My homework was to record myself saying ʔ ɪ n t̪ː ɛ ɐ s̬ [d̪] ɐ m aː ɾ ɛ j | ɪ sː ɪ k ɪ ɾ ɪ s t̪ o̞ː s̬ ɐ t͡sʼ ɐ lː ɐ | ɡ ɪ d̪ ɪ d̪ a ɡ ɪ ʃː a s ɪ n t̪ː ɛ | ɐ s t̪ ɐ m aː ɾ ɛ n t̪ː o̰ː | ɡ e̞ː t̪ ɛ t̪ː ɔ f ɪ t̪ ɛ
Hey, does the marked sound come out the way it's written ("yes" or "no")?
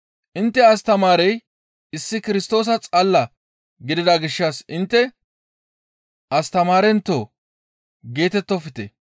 no